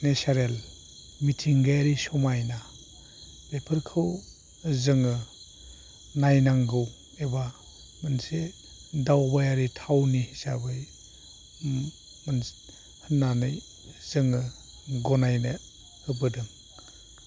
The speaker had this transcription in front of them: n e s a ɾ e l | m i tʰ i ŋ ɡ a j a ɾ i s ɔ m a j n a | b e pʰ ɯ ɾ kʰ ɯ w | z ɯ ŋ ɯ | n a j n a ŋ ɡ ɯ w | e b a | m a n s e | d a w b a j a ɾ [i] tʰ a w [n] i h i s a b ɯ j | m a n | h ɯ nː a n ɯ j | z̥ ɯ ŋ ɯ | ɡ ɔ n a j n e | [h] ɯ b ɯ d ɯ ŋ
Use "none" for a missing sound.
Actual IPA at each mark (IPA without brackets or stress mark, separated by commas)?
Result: i, n, h